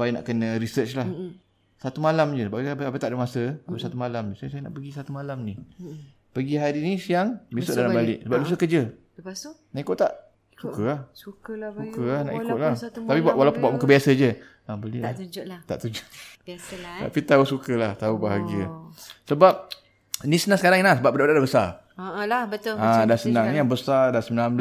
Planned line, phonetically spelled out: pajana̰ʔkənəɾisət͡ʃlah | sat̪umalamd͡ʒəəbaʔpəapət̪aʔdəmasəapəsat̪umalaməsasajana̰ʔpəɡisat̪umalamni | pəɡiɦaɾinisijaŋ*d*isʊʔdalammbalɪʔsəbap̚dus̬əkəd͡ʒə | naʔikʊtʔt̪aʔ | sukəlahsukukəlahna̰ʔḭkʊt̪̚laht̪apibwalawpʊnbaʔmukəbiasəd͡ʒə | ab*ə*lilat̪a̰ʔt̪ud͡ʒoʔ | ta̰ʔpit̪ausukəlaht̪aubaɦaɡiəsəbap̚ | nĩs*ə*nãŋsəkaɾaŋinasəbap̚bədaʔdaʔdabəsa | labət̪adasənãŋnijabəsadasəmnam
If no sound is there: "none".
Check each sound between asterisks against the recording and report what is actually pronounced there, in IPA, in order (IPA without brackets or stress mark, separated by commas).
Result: b, ə, ə